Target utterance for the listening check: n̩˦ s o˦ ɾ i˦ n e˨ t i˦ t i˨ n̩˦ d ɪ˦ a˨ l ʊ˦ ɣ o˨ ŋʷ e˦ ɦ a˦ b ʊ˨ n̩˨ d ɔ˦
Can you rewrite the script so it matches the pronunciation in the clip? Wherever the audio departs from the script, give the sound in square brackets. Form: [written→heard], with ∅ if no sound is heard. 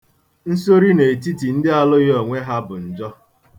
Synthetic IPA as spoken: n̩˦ s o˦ ɾ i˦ n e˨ t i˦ t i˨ n̩˦ d ɪ˦ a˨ l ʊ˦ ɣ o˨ ŋʷ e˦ ɦ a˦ b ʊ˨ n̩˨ [d→d͡ʒ] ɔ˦